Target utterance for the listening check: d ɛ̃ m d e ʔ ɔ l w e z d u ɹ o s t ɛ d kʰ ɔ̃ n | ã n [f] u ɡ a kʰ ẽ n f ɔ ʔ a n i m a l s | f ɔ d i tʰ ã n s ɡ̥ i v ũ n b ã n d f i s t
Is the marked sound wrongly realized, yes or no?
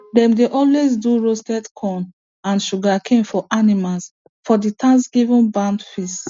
yes